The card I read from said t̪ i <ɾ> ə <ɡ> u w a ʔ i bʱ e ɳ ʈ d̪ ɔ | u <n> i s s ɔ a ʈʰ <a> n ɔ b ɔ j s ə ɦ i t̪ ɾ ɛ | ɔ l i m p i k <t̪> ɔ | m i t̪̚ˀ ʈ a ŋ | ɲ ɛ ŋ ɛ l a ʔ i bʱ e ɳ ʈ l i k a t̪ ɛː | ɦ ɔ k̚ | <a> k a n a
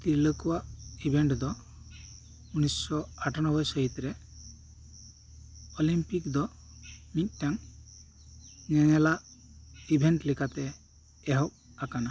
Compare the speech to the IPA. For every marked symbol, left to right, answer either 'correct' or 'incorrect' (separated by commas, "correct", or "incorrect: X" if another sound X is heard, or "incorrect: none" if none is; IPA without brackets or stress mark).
incorrect: l, incorrect: k, correct, correct, incorrect: d̪, correct